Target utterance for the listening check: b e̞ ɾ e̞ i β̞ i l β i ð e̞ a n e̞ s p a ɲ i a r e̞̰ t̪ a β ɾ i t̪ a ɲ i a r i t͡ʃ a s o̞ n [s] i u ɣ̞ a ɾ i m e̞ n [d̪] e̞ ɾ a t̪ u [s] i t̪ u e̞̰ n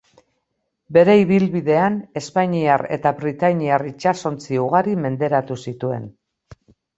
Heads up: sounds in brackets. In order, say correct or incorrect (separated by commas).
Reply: incorrect, correct, correct